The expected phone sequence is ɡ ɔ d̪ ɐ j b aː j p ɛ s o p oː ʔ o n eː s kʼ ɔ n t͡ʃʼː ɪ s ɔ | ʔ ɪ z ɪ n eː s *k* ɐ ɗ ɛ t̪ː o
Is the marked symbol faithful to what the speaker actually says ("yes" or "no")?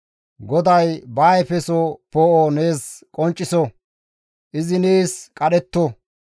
no